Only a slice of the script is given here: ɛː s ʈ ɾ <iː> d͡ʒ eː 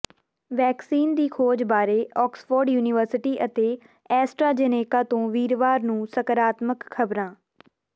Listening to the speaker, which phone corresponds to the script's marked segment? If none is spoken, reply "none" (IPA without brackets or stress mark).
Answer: aː